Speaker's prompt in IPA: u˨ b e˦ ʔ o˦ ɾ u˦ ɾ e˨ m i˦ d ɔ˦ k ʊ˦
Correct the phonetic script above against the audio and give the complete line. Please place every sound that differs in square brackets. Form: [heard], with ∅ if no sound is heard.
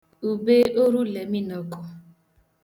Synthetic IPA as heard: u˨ b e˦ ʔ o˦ ɾ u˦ [l] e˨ m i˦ [n] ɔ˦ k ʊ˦